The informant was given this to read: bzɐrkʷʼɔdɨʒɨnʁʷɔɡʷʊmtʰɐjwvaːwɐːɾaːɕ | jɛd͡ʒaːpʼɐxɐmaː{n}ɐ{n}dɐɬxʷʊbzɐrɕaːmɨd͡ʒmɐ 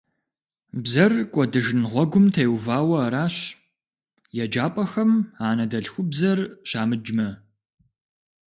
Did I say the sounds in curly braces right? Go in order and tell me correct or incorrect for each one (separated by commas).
correct, incorrect